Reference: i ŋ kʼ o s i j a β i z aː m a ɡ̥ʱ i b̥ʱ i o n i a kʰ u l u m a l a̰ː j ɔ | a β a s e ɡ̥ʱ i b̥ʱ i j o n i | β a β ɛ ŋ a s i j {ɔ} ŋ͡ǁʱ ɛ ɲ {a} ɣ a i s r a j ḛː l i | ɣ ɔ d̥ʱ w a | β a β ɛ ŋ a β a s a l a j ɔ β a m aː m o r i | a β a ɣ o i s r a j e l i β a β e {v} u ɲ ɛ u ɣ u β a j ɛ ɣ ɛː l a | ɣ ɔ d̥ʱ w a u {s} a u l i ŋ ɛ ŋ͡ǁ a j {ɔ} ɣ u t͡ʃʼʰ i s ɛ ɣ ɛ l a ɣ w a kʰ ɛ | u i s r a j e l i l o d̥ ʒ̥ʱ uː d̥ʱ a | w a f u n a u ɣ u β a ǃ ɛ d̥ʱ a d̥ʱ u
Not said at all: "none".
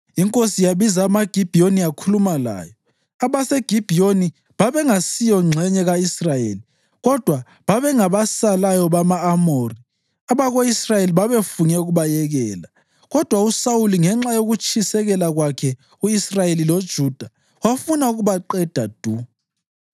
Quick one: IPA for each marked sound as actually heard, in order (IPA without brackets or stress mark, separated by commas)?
ɔ, ɛ, f, s, o